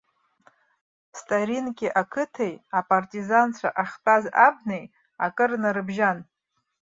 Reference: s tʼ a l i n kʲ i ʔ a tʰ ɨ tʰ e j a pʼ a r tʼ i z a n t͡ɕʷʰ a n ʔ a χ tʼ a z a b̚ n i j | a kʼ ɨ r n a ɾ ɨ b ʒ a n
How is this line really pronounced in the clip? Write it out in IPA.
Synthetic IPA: s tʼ a ɾ i n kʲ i ʔ a kʰ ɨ tʰ e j a pʼ a r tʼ i z a n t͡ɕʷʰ a ʔ a χ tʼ a z a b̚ n e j | a kʼ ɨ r n a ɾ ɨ b ʒ a n